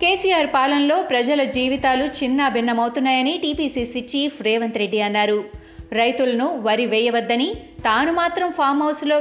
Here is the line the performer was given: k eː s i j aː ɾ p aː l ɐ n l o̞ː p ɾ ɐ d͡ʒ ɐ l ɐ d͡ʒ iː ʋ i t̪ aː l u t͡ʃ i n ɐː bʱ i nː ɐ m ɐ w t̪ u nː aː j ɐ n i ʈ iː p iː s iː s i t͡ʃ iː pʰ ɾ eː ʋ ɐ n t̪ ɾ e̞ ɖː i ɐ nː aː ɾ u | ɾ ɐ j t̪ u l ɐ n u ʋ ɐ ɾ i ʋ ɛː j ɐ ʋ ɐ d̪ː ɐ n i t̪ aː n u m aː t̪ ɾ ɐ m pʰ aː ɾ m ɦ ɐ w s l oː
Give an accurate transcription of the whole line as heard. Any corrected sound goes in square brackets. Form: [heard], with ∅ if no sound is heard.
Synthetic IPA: k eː s i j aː ɾ p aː l ɐ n l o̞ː p ɾ ɐ d͡ʒ ɐ l ɐ d͡ʒ iː ʋ i t̪ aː l u t͡ʃ i [nː] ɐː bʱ i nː ɐ m ɐ w t̪ u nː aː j ɐ n i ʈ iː p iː s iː s i t͡ʃ iː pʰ ɾ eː ʋ ɐ n t̪ ɾ e̞ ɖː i ɐ nː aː ɾ u | ɾ ɐ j t̪ u l ɐ n u ʋ ɐ ɾ i ʋ ɛː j ɐ ʋ ɐ d̪ː ɐ n i t̪ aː n u m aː t̪ ɾ ɐ m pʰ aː ɾ m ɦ ɐ w s l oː